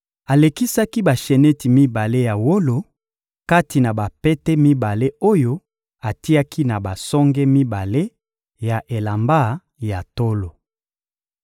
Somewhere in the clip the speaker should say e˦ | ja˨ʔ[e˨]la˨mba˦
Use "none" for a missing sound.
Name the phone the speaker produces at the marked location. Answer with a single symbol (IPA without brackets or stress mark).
e˨